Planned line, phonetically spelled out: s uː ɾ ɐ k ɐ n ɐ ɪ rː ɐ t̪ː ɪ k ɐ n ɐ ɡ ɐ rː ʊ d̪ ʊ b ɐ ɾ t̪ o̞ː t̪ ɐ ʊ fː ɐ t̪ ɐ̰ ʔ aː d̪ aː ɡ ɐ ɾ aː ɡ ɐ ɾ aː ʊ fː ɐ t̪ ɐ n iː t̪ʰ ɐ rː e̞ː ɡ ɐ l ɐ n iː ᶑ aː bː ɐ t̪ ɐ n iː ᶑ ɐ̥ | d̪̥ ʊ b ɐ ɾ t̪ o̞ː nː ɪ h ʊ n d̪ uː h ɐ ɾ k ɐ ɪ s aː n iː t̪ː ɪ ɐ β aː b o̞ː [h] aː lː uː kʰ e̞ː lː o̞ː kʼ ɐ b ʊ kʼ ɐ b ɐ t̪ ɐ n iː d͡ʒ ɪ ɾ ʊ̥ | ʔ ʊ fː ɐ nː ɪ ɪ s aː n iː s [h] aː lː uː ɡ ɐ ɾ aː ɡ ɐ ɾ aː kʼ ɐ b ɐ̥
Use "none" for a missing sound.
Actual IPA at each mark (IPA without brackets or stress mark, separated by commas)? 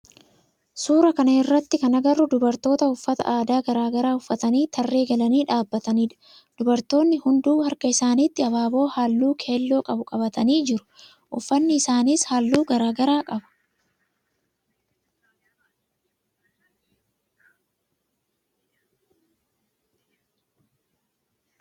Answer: h, h